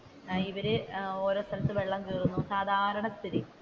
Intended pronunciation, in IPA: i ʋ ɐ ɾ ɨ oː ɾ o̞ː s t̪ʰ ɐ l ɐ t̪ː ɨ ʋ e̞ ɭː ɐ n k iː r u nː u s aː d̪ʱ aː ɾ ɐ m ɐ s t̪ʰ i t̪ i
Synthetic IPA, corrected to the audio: i ʋ ɐ ɾ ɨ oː ɾ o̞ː s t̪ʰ ɐ l ɐ t̪ː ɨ ʋ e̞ ɭː ɐ m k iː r u nː u s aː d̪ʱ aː ɾ ɐ ɳ ɐ s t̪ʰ i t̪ i